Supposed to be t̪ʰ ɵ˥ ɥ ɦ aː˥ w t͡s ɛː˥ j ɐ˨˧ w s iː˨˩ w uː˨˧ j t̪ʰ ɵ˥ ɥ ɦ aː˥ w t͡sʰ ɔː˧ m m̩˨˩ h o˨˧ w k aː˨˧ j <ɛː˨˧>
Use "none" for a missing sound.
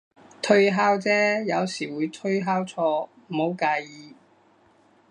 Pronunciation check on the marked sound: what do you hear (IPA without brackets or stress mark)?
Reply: iː˨˧